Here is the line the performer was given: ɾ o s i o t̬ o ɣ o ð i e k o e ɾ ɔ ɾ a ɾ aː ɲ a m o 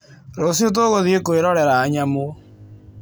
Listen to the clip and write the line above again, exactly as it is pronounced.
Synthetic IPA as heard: ɾ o s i o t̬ o ɣ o ð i e k o e ɾ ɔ ɾ ɛ ɾ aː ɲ a m o